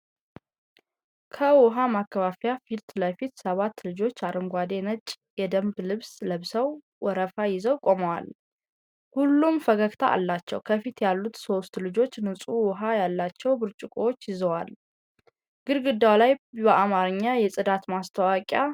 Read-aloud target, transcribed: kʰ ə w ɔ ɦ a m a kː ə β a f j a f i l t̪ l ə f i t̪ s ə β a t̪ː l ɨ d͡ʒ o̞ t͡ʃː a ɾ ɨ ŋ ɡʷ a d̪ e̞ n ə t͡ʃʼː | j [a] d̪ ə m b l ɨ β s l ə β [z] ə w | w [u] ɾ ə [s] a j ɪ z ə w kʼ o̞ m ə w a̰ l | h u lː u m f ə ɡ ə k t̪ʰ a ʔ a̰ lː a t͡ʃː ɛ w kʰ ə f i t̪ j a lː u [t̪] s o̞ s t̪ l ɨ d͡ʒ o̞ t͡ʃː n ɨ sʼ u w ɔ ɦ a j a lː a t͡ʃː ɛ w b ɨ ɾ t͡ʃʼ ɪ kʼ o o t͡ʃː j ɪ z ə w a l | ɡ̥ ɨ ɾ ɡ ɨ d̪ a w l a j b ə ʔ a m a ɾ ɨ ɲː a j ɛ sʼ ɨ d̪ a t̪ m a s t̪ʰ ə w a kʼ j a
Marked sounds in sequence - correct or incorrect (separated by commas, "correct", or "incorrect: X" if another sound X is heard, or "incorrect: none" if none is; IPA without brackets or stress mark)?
incorrect: ɛ, incorrect: s, incorrect: ɔ, incorrect: f, correct